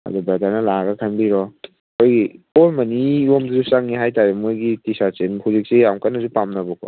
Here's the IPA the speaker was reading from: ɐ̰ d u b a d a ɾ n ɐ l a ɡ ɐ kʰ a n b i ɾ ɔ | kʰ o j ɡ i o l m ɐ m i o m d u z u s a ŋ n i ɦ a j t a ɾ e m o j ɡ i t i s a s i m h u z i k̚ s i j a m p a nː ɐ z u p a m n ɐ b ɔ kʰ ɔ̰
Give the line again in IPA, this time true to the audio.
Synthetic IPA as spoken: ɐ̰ d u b a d a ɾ n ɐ l a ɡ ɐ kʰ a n b i ɾ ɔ | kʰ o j ɡ i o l m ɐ n i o m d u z u s a ŋ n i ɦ a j t a ɾ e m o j ɡ i t i s a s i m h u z i k̚ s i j a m k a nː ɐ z u p a m n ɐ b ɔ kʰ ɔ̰